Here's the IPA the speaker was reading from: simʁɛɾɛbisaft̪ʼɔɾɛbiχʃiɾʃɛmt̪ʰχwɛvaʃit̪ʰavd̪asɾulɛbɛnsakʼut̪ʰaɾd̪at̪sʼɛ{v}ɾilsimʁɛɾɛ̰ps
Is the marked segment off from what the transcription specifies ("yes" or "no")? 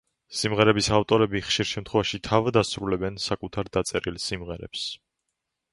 yes